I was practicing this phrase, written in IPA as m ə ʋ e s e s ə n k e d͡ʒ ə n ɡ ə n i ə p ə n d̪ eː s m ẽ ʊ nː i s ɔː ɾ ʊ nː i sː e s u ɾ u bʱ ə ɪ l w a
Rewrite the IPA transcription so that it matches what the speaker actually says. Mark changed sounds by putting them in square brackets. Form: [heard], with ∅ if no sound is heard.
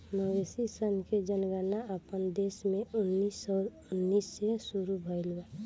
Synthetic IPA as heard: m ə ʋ e s [i] s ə n k e d͡ʒ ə n ɡ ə n [a] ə p ə n d̪ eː s m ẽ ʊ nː i s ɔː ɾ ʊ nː i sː e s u ɾ u bʱ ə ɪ l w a